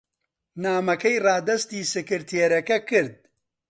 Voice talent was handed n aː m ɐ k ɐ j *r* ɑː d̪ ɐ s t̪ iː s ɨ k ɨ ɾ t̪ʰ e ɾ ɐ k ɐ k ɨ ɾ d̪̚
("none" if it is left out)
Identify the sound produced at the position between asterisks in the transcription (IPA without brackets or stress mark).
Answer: r